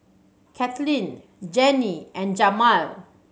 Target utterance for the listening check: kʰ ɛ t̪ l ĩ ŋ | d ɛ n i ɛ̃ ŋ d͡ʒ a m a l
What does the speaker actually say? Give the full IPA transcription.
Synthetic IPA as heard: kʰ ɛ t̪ l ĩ n | d͡ʒ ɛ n i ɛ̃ n d͡ʒ a m a l